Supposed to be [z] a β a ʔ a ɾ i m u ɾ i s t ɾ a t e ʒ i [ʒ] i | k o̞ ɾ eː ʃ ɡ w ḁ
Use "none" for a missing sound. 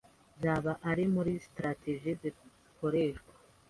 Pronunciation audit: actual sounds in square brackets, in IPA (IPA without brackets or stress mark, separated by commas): z, z